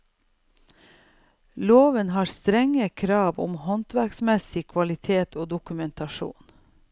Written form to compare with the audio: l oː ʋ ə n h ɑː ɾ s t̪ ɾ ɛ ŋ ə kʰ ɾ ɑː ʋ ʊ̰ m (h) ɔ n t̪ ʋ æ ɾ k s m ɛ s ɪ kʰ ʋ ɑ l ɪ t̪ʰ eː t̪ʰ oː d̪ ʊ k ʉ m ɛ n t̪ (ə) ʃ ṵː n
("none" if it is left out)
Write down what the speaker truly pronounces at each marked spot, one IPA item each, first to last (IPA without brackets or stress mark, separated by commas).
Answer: h, ɑ